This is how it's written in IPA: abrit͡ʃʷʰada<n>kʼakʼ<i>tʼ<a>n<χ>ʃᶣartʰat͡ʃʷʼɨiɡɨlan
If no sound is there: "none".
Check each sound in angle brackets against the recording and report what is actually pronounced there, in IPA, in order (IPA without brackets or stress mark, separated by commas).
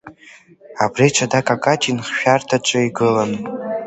none, a, i, χ